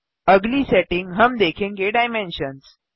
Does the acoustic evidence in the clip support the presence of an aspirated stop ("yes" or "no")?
yes